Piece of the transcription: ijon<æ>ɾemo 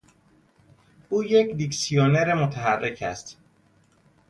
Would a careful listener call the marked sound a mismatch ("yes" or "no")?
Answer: yes